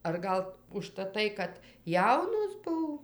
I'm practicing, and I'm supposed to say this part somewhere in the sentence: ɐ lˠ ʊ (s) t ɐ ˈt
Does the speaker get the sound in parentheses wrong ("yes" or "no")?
yes